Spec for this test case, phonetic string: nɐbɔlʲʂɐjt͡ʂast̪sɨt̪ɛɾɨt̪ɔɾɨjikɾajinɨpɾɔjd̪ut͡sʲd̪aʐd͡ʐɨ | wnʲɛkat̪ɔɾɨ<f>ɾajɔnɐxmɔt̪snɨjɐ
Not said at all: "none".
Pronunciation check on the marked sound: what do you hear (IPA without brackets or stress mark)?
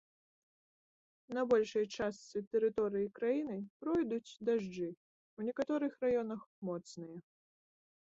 x